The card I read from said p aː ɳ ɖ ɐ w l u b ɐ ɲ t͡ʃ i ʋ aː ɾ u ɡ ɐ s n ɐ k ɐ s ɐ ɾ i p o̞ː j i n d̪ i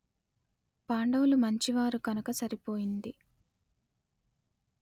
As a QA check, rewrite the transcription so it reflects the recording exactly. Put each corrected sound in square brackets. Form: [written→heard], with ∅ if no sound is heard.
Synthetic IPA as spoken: p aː ɳ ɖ ɐ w l u [b→m] ɐ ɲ t͡ʃ i ʋ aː ɾ u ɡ ɐ [s→∅] n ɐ k ɐ s ɐ ɾ i p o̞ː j i n d̪ i

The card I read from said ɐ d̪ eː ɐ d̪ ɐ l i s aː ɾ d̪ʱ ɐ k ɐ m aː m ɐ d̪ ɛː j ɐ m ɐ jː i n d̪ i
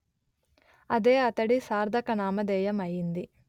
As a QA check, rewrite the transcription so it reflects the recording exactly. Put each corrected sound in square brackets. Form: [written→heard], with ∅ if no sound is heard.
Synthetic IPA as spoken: ɐ d̪ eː ɐ [d̪→t̪] ɐ [l→ɽ] i s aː ɾ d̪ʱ ɐ k ɐ [m→n] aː m ɐ d̪ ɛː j ɐ m ɐ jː i n d̪ i

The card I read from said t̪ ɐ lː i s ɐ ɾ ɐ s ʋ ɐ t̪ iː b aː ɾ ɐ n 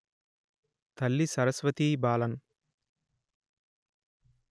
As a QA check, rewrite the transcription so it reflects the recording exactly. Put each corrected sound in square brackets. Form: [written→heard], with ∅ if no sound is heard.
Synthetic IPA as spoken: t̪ ɐ lː i s ɐ ɾ ɐ s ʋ ɐ t̪ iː b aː [ɾ→l] ɐ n

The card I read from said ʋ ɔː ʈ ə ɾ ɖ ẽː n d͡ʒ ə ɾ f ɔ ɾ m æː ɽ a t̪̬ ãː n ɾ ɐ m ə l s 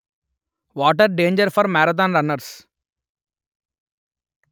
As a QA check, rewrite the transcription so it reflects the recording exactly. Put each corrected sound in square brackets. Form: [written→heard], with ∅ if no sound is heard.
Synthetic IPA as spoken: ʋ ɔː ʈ ə ɾ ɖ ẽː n d͡ʒ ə ɾ f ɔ ɾ m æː [ɽ→ɾ] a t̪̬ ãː n ɾ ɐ [m→n] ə [l→ɾ] s

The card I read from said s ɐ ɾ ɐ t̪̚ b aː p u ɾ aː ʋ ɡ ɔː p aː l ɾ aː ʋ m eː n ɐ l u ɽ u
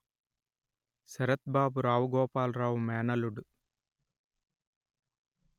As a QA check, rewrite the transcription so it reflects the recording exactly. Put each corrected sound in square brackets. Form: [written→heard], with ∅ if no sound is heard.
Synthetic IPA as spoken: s ɐ ɾ ɐ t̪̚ b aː [p→b] u ɾ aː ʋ ɡ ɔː p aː l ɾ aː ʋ m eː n ɐ l u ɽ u

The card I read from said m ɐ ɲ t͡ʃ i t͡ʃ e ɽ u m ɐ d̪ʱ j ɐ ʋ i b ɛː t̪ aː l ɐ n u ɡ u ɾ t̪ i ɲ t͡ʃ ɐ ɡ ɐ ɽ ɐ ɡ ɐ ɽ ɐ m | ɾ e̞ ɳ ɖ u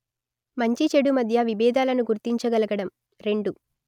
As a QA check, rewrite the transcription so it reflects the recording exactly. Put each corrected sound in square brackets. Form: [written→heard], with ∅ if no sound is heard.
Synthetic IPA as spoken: m ɐ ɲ t͡ʃ i t͡ʃ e ɽ u m ɐ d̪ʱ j ɐ ʋ i b ɛː [t̪→d̪] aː l ɐ n u ɡ u ɾ t̪ i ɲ t͡ʃ ɐ ɡ ɐ [ɽ→l] ɐ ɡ ɐ ɽ ɐ m | ɾ e̞ ɳ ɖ u

